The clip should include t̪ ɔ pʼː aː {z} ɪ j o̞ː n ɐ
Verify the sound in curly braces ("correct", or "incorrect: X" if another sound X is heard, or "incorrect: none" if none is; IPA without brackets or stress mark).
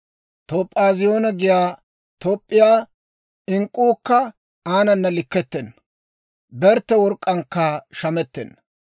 correct